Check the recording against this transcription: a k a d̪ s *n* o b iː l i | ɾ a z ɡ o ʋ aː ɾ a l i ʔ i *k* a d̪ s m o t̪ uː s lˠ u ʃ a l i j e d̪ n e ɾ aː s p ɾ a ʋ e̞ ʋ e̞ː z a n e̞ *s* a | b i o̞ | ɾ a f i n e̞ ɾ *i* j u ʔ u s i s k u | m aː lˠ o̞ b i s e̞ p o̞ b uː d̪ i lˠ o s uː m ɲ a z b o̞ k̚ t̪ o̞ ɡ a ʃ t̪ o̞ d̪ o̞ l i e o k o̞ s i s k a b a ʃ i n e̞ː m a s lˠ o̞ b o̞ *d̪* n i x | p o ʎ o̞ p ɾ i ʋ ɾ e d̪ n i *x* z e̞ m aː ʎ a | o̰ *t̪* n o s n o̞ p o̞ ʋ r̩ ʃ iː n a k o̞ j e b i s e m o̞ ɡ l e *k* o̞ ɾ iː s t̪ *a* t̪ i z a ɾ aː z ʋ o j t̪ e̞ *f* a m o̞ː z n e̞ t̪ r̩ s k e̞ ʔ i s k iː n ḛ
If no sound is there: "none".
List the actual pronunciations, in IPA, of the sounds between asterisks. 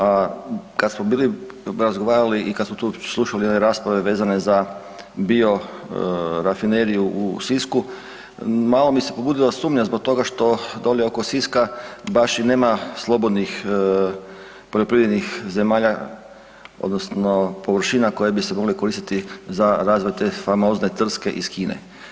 m, k, z, i, d̪, x, d̪, k, i, f

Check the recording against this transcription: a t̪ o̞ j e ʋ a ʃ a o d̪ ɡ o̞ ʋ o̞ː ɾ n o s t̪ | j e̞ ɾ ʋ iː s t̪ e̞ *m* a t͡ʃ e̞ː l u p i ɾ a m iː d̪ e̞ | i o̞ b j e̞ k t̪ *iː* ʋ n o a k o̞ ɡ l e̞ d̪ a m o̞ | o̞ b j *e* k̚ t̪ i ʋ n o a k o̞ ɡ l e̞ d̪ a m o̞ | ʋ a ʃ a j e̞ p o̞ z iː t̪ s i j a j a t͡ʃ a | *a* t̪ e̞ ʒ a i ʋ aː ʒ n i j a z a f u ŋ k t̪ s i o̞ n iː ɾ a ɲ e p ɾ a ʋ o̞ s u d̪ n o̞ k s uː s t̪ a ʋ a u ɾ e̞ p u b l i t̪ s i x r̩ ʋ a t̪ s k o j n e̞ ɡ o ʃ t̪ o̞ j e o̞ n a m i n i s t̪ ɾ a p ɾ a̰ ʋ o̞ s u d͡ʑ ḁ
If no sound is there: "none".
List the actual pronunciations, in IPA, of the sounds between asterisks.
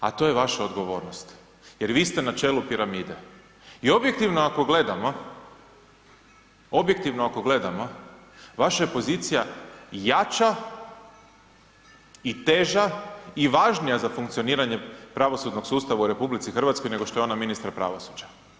n, i, e, i

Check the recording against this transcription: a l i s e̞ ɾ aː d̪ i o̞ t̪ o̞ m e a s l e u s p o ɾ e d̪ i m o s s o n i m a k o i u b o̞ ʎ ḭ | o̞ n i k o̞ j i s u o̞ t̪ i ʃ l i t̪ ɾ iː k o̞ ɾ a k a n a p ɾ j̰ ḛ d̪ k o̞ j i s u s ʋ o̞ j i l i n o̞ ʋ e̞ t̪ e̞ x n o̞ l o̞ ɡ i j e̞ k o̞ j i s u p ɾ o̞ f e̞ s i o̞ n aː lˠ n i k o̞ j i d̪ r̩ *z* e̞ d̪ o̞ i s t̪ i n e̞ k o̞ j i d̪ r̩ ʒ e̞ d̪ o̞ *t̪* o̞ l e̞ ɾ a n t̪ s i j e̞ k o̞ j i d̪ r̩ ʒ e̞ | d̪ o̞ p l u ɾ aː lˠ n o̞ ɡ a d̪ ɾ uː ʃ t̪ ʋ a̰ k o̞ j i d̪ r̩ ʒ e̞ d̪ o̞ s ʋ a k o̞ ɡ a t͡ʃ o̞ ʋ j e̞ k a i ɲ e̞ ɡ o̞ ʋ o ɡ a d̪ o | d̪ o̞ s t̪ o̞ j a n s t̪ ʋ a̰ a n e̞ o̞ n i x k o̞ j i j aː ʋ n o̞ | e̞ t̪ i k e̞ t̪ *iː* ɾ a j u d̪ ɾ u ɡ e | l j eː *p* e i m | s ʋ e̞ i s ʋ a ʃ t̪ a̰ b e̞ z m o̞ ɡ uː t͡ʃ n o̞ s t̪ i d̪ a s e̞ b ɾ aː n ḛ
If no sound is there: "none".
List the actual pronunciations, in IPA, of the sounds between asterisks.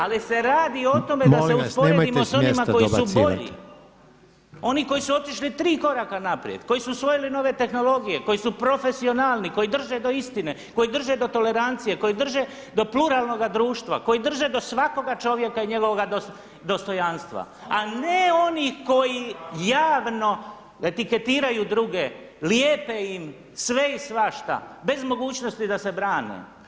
ʒ, t̪, iː, p

